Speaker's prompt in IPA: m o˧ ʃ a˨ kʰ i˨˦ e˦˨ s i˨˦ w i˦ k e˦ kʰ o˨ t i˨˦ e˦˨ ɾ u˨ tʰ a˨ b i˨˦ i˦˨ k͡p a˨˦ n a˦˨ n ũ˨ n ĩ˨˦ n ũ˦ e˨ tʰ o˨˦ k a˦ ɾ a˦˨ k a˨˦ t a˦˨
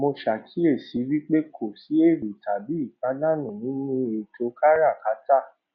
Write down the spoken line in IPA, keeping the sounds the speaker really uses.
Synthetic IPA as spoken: m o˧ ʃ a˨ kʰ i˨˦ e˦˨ s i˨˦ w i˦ k͡p e˦ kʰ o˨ s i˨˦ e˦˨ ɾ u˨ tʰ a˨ b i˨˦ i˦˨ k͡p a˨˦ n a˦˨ n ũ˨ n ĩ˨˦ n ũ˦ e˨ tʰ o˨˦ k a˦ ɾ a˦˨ k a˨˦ t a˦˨